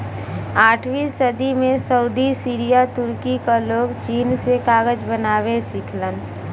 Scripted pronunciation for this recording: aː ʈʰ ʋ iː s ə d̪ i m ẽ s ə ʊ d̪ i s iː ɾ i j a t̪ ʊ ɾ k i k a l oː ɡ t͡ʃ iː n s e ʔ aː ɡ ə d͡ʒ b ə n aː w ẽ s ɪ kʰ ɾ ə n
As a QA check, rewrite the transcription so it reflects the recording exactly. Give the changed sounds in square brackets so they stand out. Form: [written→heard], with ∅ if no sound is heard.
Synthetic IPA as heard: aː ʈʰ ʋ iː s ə d̪ i m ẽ s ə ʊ d̪ i s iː ɾ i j a t̪ ʊ ɾ k i k a l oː ɡ t͡ʃ iː n s e [ʔ→k] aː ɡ ə d͡ʒ b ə n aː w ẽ s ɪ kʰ [ɾ→l] ə n